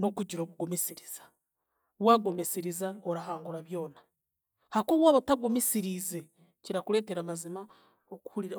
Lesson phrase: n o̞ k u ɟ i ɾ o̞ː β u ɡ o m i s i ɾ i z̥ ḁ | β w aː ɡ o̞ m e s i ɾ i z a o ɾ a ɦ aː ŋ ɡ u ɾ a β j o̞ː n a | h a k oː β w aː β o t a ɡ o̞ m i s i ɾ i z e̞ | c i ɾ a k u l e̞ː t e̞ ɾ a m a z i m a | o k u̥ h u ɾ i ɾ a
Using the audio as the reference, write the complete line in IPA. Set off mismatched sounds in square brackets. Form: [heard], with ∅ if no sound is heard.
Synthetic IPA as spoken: n o̞ k u ɟ i ɾ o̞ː β u ɡ o m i s i ɾ i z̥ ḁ | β w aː ɡ o̞ m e s i ɾ i z a o ɾ a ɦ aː ŋ ɡ u ɾ a β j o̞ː n a | h a k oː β w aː β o t a ɡ o̞ m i s i ɾ i z e̞ | c i ɾ a k u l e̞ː t e̞ ɾ a m a z i m a | o k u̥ h u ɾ i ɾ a